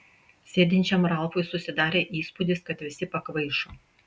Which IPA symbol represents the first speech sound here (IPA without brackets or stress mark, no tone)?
sʲ